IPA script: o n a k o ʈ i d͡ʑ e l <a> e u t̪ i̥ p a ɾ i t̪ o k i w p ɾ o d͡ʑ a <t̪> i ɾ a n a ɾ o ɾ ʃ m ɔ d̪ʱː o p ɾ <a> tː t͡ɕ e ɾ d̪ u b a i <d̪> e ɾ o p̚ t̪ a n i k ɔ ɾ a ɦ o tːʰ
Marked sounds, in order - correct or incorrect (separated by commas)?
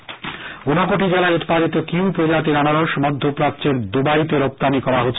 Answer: correct, correct, correct, incorrect